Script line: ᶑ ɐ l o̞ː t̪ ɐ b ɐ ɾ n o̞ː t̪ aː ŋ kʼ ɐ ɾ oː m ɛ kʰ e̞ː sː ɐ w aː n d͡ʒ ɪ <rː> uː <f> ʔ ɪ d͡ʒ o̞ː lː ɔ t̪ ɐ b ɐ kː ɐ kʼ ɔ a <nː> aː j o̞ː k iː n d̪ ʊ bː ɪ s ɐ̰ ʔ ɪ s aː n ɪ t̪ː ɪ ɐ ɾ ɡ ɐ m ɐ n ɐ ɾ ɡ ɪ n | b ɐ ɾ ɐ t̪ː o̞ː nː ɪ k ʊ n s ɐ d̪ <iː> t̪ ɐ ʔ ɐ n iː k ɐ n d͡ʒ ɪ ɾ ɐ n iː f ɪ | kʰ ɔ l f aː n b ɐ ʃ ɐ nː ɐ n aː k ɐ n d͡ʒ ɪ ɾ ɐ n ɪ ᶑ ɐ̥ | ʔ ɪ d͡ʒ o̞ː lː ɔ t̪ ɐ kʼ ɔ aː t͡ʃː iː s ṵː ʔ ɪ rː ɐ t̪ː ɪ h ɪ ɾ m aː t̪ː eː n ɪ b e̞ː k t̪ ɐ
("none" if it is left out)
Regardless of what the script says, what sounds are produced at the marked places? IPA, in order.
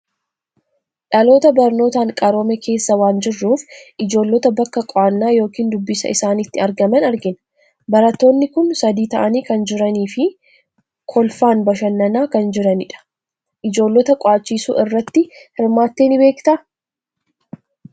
rː, f, nː, iː

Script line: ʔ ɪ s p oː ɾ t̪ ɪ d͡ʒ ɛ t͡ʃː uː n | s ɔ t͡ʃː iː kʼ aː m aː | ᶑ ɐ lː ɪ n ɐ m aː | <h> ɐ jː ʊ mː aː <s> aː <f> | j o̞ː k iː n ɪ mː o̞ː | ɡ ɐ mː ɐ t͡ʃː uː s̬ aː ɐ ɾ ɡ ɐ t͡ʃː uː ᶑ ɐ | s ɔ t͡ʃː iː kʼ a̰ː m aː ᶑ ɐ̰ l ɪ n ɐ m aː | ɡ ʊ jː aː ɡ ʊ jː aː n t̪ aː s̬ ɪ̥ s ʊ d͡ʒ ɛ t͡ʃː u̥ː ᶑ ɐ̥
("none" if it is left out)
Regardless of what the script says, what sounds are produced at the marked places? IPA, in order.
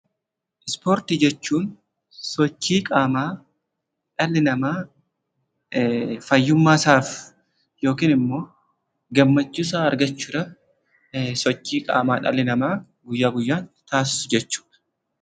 f, s, f

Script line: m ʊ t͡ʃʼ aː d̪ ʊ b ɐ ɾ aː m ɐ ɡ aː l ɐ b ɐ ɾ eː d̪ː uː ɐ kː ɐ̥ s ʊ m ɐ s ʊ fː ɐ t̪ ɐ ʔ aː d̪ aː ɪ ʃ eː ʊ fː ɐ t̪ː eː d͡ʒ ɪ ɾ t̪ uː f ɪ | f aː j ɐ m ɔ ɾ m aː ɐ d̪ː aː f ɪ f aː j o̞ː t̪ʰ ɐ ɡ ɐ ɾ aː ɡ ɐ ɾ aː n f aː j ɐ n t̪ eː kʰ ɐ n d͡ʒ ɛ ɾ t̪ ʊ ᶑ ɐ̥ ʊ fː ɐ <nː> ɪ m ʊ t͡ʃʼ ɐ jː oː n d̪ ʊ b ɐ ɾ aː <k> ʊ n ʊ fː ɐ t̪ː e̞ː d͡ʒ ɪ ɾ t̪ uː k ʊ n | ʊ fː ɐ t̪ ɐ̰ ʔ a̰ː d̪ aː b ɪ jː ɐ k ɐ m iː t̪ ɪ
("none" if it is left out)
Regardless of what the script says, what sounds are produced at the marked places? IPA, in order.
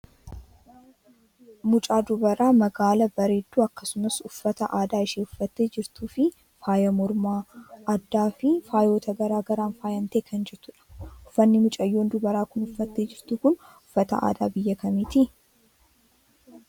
nː, k

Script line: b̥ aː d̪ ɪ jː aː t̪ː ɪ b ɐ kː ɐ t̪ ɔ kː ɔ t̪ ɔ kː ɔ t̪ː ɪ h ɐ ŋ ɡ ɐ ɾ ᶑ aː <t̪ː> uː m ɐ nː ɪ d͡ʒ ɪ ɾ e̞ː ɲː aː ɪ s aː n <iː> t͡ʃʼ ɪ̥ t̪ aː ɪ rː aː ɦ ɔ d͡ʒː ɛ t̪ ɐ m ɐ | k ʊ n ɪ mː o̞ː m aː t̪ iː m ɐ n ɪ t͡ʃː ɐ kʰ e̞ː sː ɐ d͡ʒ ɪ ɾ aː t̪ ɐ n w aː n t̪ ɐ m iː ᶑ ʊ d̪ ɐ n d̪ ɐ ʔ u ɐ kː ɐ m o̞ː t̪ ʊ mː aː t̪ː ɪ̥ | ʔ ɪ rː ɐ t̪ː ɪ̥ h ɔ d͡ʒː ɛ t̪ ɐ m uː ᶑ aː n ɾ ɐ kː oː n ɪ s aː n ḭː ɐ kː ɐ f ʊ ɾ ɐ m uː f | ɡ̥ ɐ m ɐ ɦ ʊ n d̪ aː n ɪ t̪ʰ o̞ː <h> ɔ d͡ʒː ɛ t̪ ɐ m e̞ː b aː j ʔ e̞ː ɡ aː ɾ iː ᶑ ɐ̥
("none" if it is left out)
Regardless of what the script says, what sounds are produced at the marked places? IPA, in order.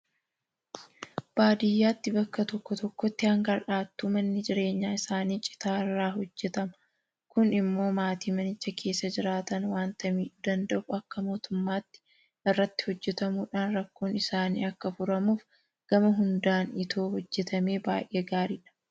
t̪ː, iː, h

